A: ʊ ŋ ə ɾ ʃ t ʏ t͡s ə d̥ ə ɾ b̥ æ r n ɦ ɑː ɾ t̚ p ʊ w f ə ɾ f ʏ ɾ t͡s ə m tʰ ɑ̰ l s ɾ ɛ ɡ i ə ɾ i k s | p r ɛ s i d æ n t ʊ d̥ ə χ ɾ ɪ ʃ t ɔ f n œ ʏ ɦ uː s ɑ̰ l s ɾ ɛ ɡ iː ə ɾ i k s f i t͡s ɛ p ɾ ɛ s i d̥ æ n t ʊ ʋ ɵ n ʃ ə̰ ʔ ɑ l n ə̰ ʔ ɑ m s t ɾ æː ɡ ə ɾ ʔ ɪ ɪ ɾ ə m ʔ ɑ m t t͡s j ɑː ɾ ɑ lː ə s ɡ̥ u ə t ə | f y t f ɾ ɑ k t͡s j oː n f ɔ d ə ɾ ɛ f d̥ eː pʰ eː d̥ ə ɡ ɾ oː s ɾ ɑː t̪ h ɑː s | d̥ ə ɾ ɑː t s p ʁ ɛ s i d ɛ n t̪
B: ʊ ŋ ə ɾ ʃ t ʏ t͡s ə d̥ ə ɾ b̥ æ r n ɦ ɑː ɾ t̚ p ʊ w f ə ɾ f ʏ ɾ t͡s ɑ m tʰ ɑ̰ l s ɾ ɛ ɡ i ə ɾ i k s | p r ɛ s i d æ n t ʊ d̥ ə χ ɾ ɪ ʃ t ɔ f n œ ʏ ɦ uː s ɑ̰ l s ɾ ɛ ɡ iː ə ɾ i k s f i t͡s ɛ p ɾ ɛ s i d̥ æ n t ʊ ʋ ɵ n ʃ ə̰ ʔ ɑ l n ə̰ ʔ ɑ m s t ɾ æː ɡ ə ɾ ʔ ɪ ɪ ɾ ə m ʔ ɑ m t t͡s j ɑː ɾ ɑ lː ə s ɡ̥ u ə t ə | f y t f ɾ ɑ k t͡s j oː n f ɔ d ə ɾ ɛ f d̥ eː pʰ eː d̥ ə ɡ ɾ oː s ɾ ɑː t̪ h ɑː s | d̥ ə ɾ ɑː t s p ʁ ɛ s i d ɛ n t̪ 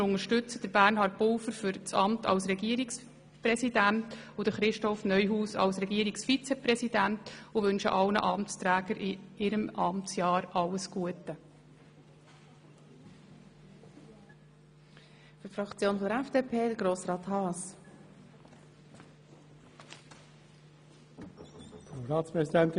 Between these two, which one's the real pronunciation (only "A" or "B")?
B